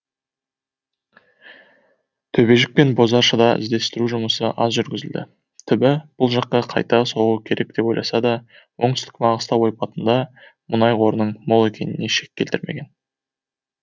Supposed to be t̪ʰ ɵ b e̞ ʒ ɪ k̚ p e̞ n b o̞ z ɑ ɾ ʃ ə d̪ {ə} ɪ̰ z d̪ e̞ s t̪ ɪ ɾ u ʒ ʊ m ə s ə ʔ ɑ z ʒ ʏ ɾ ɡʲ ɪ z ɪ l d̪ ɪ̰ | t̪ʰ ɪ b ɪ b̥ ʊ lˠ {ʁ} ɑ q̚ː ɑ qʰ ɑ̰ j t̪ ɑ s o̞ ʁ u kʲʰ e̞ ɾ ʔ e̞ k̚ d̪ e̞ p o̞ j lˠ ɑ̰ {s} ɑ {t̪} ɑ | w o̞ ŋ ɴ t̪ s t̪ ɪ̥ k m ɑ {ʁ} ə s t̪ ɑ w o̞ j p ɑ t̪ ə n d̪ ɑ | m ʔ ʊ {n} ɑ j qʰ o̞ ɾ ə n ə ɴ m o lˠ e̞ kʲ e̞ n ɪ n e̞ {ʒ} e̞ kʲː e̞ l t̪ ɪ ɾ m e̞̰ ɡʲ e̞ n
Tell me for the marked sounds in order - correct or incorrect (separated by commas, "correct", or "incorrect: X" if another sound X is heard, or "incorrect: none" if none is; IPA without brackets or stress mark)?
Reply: incorrect: ɑ, incorrect: ʒ, correct, incorrect: d̪, correct, correct, incorrect: ʃ